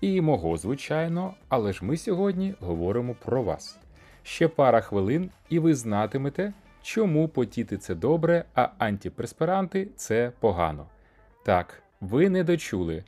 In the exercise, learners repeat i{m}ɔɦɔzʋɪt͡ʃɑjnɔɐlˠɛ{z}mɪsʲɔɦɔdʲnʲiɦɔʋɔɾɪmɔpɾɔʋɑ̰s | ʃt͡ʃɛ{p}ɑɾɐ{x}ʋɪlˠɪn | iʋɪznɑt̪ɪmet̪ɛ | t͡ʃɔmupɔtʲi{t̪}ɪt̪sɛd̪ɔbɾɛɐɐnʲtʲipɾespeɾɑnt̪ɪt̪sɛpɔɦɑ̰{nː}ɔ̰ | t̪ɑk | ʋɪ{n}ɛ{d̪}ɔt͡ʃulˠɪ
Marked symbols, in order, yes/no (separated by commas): yes, no, yes, yes, yes, no, yes, yes